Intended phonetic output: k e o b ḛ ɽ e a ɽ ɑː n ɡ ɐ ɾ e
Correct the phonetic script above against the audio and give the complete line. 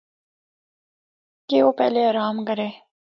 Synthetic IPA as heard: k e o p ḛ l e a ɾ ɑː m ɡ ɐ ɾ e